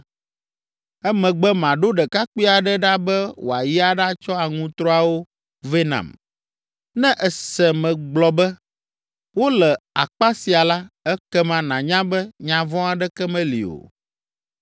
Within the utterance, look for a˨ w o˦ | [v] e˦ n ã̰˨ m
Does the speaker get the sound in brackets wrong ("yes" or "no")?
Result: no